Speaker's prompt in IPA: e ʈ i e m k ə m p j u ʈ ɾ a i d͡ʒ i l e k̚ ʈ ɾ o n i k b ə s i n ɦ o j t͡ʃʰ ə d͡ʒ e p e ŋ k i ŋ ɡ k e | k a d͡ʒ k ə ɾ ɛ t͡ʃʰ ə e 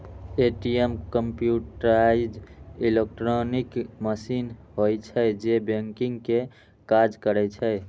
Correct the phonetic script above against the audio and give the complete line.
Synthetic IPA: e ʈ i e m k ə m p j u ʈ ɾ a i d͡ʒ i l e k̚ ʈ ɾ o n i k m ə s i n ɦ o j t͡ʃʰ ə d͡ʒ e b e ŋ k i ŋ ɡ k e | k a d͡ʒ k ə ɾ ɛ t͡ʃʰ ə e